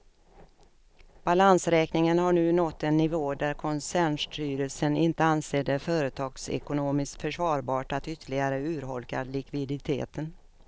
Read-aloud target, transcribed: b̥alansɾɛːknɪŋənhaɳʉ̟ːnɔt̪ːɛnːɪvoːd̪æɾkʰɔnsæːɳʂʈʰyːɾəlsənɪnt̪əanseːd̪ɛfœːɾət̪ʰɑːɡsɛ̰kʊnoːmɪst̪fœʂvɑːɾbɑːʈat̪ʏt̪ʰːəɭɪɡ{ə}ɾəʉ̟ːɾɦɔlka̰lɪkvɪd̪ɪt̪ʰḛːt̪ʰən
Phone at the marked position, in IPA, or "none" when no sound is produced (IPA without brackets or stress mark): a